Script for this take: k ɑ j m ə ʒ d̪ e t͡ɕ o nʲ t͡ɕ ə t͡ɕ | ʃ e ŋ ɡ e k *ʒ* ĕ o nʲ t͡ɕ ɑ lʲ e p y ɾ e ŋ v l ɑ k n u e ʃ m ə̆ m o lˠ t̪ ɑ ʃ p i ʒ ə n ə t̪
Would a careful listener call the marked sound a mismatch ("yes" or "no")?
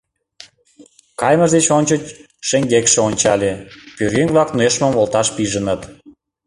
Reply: yes